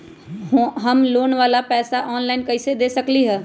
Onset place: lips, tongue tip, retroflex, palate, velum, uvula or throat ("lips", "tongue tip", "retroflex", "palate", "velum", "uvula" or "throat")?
throat